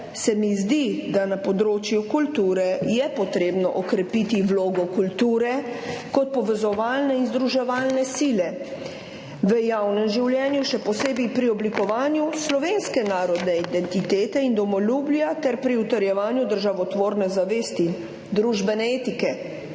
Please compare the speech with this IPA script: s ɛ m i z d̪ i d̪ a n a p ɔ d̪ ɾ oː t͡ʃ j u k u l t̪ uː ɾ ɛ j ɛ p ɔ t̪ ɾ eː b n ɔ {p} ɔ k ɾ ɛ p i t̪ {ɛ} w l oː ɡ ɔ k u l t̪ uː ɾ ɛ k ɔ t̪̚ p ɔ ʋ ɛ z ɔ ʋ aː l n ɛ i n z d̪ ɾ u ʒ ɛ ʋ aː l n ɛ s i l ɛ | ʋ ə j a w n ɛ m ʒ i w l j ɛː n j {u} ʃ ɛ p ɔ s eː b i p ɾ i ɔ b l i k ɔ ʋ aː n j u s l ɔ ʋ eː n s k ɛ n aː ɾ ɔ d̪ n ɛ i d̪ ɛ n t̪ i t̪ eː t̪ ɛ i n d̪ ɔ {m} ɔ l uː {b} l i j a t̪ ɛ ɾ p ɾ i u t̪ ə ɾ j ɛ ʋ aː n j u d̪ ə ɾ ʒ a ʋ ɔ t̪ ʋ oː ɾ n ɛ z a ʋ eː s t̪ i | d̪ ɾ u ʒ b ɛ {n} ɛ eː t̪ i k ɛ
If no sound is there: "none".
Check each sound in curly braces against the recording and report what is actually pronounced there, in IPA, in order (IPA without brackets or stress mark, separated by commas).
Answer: ʔ, i, u, m, b, n